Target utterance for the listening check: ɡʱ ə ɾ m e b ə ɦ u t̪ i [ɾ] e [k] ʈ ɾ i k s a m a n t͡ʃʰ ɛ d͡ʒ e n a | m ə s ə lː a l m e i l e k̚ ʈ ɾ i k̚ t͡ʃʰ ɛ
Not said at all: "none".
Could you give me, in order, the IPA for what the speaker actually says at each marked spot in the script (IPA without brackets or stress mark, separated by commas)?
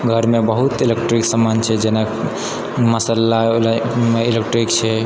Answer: l, k